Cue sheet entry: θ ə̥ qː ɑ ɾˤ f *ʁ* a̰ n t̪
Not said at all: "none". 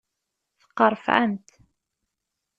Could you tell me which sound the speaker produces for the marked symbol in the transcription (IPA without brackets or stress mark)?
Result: ʕ